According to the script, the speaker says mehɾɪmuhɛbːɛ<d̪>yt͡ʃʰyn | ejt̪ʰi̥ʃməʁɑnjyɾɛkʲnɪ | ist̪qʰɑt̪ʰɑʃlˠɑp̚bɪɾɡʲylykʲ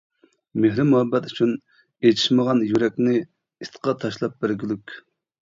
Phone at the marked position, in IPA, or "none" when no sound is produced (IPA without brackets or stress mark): t̪